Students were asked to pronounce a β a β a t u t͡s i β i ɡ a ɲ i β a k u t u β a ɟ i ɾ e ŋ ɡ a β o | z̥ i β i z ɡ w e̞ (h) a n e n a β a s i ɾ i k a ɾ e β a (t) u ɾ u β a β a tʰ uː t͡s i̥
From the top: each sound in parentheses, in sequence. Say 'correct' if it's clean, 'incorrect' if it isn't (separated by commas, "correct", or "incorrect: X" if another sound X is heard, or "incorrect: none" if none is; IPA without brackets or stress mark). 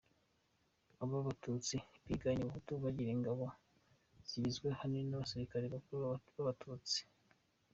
correct, incorrect: k